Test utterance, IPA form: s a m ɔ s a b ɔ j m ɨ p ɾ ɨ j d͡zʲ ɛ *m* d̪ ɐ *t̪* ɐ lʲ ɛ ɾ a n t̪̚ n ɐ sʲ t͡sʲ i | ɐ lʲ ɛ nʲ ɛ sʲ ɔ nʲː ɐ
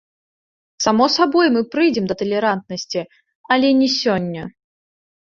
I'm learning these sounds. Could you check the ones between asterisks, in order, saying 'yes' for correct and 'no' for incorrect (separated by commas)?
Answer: yes, yes